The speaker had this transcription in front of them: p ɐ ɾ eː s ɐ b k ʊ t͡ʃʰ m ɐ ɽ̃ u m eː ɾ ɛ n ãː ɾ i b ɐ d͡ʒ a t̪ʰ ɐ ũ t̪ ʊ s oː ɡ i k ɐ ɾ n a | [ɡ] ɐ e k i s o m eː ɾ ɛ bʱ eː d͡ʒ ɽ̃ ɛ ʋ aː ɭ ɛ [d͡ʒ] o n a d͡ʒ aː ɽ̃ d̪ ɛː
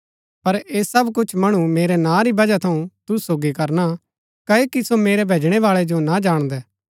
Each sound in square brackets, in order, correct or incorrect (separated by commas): incorrect, correct